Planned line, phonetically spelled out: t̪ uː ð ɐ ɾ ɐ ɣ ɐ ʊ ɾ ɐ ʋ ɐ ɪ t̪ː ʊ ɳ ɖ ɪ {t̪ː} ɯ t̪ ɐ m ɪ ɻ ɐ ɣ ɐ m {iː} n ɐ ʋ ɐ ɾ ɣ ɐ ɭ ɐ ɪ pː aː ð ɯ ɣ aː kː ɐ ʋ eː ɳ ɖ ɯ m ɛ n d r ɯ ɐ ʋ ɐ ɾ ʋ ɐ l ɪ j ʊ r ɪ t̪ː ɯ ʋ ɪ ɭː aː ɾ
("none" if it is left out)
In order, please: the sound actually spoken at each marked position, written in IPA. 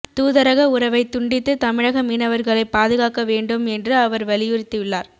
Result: t̪ː, iː

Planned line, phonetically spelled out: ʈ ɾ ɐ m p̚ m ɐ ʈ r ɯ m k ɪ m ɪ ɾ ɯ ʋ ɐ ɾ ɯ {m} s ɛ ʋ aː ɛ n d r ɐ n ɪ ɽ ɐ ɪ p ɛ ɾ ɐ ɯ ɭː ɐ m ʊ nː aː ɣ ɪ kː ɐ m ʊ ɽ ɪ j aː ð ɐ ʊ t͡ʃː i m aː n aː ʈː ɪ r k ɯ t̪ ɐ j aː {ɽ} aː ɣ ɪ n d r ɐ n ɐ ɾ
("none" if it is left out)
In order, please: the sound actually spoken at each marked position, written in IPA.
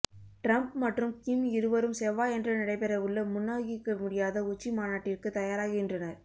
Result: m, ɾ

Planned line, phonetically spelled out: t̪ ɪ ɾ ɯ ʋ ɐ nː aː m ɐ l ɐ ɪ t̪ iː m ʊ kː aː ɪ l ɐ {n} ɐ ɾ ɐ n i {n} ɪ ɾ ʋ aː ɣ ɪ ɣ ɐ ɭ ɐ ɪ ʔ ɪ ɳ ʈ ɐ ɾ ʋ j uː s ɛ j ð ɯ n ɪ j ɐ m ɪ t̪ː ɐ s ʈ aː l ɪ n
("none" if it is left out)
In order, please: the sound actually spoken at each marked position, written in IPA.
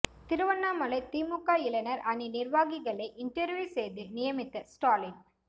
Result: n, n

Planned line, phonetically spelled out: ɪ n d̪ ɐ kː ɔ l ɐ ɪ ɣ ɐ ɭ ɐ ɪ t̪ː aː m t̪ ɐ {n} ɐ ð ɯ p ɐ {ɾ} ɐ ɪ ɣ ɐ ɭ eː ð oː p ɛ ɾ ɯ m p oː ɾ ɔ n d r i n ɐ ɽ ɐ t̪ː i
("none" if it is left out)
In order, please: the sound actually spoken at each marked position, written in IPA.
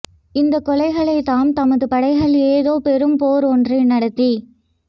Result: m, ɽ

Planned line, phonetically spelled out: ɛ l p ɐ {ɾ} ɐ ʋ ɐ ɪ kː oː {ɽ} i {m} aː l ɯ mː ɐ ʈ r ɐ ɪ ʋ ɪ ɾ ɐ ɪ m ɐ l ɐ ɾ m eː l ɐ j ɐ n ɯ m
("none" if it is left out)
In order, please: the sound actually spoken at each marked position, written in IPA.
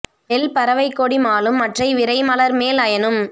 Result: ɾ, ɽ, m

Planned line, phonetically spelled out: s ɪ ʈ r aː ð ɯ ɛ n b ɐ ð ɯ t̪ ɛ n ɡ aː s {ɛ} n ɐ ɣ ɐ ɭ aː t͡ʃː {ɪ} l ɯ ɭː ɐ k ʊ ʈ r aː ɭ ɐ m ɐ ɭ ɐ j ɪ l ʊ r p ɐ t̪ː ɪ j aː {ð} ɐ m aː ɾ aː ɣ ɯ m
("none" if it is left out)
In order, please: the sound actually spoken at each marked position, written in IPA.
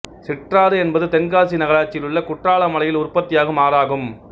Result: i, ɪ, ɣ

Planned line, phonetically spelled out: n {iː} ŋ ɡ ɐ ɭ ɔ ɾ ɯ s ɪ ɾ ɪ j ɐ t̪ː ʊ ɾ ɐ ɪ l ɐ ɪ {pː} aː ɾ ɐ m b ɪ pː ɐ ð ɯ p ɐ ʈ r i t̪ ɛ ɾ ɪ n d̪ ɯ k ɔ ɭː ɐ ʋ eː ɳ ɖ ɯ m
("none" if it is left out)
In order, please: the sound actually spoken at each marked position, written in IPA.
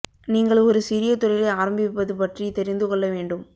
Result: iː, none

